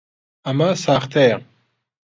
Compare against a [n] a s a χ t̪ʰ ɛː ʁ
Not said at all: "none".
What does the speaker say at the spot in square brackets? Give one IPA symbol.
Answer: m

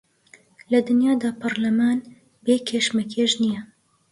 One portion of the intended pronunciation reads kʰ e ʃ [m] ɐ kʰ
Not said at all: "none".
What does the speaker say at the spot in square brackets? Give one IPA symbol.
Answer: m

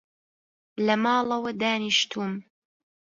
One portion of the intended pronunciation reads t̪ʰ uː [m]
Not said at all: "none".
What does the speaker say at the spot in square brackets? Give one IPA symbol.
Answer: m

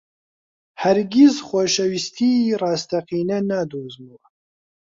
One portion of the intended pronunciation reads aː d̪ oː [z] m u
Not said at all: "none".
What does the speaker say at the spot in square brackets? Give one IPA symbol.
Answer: z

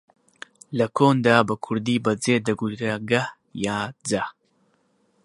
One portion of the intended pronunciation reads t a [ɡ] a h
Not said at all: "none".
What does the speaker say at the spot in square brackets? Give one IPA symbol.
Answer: ɡ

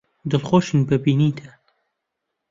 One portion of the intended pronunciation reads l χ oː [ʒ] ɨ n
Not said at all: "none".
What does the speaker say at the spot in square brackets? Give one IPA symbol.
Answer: ʃ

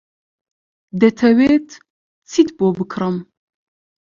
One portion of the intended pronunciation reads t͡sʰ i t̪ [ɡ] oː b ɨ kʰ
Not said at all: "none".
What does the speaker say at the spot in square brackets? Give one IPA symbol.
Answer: b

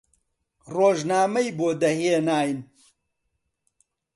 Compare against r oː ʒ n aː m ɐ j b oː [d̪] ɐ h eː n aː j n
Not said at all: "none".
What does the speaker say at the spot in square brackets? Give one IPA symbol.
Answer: d̪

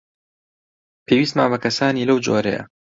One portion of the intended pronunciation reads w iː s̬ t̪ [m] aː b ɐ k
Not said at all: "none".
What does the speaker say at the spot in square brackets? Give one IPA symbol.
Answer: m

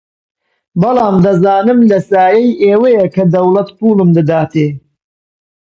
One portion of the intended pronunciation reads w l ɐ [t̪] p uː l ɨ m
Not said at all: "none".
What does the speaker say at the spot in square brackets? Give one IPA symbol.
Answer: t̪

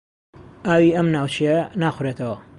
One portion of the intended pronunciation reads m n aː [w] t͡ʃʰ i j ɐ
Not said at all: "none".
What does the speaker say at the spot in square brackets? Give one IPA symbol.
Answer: w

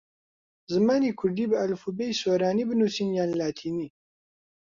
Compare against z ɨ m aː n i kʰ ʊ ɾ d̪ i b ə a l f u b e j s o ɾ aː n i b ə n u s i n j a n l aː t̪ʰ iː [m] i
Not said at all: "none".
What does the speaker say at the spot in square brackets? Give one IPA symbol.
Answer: n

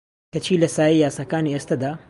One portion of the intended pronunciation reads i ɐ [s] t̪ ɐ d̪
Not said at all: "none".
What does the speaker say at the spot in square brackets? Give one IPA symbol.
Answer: s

